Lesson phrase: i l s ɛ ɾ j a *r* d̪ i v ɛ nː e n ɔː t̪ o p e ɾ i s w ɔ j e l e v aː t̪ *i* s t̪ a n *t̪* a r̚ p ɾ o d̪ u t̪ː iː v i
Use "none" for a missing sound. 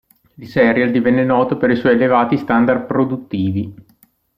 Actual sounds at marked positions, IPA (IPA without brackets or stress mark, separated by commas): l, i, d̪